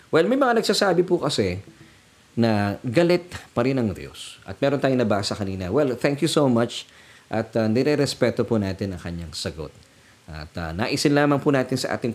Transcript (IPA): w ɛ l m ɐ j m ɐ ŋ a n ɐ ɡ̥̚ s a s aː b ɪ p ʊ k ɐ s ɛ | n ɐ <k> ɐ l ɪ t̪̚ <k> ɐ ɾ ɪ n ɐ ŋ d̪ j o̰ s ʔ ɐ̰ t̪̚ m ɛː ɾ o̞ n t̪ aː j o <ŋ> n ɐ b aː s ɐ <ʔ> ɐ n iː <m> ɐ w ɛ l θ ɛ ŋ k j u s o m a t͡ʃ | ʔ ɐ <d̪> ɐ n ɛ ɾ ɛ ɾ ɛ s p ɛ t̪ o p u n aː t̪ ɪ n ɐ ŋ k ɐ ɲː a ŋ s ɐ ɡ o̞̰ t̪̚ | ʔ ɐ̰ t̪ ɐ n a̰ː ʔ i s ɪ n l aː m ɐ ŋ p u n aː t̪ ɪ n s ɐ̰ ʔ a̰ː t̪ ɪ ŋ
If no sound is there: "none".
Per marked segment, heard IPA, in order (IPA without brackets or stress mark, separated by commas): ɡ, p, ŋ, k, n, t̪